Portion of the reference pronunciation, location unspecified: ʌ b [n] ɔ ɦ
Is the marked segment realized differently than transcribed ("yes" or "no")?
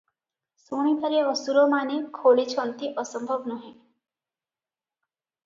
no